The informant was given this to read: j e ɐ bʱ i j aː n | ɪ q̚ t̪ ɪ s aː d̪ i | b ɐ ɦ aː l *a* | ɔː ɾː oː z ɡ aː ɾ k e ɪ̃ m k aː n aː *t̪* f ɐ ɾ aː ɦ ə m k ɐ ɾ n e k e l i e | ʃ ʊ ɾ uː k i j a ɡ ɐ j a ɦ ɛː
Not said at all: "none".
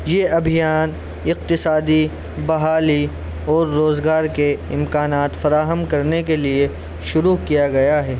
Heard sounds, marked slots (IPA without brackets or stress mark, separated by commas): i, t̪